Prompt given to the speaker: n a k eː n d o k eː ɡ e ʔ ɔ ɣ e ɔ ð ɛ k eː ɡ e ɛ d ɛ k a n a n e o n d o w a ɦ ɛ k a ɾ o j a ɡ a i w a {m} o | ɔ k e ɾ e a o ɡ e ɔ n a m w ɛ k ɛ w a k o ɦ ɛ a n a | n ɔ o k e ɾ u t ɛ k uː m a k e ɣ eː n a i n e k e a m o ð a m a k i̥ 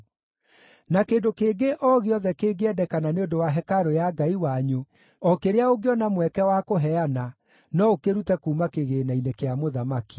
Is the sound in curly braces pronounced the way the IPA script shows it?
no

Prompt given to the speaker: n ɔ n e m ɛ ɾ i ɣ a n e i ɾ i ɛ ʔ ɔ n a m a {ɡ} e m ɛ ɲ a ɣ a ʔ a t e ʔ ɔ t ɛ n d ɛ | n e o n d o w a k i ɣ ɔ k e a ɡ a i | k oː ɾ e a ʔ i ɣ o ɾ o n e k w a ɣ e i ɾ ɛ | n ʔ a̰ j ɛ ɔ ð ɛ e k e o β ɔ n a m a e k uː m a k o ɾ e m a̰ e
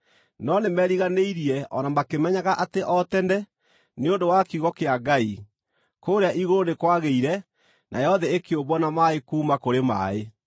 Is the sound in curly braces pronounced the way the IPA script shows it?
no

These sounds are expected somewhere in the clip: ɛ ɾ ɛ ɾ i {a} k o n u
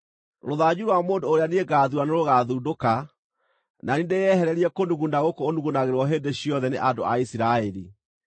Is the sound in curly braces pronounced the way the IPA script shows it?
no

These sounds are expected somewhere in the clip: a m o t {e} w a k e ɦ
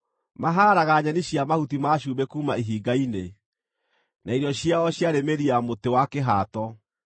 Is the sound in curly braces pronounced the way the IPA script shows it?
yes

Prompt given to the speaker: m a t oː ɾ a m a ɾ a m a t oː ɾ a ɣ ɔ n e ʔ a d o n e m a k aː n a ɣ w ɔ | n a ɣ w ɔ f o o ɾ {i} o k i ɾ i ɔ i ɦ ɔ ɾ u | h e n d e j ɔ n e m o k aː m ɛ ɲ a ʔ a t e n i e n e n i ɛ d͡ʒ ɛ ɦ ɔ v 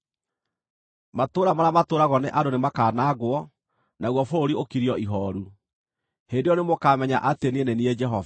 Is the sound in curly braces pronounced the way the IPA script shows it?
yes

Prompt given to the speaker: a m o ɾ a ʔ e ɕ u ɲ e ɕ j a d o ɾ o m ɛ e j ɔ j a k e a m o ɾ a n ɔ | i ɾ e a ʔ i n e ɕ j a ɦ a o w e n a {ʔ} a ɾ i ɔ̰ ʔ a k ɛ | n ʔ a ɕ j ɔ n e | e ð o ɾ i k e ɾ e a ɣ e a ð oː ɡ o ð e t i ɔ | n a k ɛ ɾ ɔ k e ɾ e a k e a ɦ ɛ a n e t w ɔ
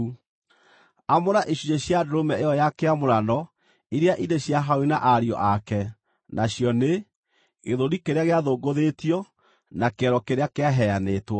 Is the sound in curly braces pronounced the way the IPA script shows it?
yes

